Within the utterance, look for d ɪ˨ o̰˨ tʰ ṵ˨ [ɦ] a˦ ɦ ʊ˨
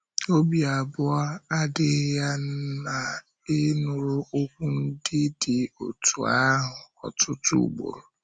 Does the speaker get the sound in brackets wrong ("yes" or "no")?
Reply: yes